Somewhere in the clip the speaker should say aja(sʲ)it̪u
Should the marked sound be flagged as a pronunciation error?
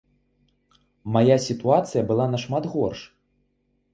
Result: no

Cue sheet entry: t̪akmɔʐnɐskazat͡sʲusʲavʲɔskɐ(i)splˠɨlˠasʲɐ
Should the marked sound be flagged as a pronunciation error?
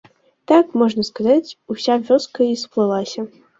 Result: no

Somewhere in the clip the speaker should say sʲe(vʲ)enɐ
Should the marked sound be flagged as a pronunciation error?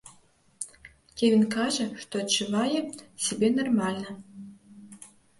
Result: yes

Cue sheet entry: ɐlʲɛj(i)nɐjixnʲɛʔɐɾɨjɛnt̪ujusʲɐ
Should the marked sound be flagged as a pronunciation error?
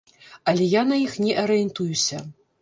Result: yes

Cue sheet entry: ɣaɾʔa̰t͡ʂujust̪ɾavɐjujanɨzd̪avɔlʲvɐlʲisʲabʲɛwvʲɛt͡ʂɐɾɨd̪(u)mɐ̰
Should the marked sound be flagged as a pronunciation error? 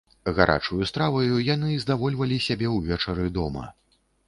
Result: yes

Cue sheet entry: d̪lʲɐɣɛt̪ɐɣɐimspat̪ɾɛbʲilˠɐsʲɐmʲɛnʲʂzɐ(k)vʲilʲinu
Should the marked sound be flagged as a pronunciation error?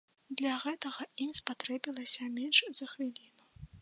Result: yes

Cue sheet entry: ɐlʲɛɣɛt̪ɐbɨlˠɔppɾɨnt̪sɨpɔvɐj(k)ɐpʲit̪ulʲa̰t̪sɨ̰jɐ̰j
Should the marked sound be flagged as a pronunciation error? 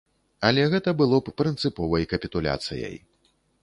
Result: no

